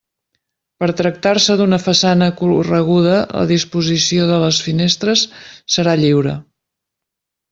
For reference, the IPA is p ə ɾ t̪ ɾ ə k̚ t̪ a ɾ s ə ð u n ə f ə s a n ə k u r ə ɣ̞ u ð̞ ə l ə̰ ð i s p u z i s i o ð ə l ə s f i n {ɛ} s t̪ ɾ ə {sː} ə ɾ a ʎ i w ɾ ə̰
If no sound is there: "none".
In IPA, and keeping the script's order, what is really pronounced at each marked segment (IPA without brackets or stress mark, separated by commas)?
e, sː